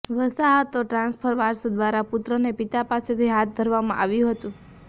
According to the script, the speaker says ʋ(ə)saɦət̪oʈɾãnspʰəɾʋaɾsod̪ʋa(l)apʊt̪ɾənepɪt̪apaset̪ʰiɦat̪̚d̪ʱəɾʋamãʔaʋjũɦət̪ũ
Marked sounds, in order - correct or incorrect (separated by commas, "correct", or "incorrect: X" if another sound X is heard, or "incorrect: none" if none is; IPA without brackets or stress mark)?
correct, incorrect: ɾ